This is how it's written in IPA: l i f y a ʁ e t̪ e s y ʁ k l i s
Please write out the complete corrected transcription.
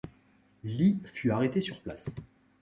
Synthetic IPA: l i f y a ʁ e t̪ e s y ʁ p l a s